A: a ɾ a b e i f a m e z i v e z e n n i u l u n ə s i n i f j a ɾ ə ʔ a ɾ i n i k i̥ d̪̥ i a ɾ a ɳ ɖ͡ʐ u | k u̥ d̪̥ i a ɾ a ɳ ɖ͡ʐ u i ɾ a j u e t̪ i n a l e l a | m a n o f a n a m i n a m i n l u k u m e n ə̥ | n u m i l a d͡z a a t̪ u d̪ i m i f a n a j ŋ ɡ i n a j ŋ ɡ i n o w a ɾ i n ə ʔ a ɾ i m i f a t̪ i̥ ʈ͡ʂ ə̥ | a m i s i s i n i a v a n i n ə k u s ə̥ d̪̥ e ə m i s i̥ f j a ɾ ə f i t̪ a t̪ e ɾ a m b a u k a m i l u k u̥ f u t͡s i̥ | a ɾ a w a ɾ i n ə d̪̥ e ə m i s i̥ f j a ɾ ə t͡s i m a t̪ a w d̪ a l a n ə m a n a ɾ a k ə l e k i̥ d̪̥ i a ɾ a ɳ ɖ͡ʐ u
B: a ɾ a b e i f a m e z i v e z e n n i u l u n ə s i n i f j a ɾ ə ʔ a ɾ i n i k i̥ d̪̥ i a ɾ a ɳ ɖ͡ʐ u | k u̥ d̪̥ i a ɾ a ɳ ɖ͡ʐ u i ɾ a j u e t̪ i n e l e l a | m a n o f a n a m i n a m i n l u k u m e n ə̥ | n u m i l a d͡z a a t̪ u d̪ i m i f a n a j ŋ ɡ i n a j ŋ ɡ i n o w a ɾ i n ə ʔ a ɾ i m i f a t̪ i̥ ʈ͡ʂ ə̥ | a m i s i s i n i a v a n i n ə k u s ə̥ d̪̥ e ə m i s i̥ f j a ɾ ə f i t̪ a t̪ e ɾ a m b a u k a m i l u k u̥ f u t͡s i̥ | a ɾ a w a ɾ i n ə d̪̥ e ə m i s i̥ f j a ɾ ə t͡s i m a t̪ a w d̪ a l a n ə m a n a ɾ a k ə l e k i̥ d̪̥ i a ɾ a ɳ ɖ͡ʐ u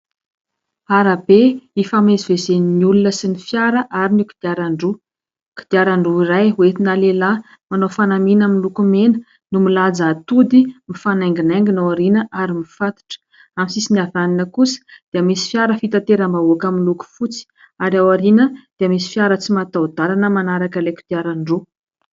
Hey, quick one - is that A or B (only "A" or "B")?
A